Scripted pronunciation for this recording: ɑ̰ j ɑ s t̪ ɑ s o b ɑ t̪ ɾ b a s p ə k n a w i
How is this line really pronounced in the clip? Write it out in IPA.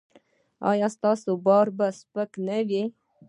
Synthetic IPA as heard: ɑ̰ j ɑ s t̪ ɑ s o b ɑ ɾ b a s p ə k n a w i